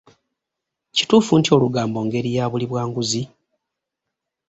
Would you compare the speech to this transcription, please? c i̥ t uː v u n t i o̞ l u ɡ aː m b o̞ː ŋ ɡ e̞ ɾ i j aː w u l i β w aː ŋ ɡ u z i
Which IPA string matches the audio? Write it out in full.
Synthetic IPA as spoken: c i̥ t uː f u n t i o̞ l u ɡ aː m b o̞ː ŋ ɡ e̞ ɾ i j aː β u l i β w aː ŋ ɡ u z i

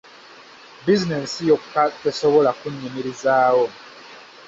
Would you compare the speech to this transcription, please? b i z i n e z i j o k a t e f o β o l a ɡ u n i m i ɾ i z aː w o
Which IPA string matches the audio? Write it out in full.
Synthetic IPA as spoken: b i z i n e s i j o k a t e s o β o l a k u ɲ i m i ɾ i z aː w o

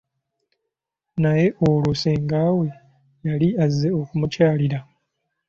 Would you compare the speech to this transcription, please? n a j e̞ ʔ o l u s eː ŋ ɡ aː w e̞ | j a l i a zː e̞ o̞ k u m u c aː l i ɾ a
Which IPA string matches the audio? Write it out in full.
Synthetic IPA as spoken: n a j e̞ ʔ o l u s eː ŋ ɡ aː w e̞ | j a l i a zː e̞ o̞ k u m u c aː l i ɾ a

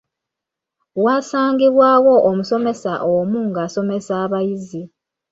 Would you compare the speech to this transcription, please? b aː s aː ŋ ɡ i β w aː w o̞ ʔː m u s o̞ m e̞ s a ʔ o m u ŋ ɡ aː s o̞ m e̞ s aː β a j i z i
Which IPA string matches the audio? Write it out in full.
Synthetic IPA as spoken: w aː s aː ŋ ɡ i β w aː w o̞ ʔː m u s o̞ m e̞ s a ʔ o m u ŋ ɡ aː s o̞ m e̞ s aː β a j i z i

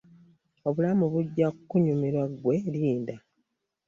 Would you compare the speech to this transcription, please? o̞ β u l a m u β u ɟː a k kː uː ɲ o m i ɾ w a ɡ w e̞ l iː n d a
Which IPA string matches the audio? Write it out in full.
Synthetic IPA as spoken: o̞ β u l a m u β u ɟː a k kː u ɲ u m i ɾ w a ɡ w e̞ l iː n d a

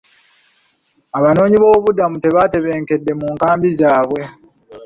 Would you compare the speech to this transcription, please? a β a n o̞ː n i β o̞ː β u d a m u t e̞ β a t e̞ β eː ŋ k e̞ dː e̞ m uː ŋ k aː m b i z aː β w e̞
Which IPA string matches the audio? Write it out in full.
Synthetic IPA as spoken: a β a n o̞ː ɲ i β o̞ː β u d a m u t e̞ β a t e̞ β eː ŋ k e̞ dː e̞ m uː ŋ k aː m b i z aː β w e̞

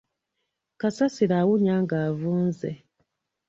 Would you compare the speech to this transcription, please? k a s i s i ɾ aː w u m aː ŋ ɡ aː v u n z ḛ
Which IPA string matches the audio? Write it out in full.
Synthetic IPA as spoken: k a s a s i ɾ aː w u ɲ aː ŋ ɡ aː v uː n z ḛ

